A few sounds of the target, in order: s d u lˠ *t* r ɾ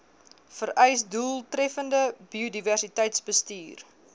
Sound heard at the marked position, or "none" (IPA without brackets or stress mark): t